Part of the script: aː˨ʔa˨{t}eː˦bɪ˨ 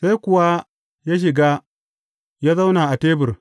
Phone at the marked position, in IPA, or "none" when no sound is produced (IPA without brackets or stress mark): t